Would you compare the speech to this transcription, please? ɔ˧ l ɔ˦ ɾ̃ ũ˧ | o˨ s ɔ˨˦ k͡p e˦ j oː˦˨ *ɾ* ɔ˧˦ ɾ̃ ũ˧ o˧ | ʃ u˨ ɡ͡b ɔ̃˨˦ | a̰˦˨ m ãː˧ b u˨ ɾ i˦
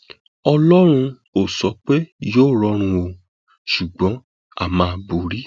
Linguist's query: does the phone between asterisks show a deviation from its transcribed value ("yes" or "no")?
no